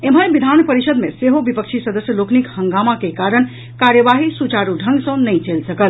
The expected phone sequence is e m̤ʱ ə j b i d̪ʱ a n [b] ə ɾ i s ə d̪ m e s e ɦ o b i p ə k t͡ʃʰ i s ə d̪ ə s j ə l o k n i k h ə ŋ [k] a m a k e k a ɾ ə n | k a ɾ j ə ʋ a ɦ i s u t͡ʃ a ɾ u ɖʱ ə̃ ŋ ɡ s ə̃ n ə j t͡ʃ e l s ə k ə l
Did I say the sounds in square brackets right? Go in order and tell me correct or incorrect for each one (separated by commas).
incorrect, incorrect